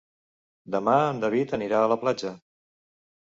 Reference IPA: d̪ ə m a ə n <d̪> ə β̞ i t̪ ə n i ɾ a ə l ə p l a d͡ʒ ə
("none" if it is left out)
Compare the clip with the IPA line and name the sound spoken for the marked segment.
d̪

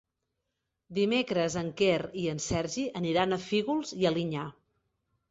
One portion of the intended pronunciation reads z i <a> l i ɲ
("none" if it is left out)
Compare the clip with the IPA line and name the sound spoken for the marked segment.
ə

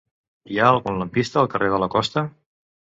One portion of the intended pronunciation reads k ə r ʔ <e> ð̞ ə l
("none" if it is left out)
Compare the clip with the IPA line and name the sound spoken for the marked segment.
e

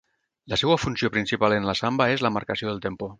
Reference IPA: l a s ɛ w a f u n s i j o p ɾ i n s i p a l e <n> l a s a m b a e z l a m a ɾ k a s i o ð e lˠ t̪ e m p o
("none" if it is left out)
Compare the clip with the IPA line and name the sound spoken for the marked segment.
n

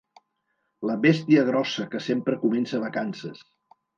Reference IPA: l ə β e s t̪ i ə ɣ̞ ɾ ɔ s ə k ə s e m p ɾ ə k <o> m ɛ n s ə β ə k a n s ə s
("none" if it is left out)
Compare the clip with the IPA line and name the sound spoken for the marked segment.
u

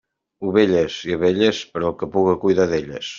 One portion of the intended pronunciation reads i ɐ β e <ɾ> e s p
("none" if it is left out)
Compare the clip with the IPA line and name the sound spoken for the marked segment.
ʎ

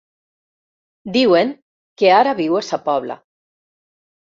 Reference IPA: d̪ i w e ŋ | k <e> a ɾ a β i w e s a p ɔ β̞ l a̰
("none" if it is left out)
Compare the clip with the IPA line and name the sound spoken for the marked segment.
e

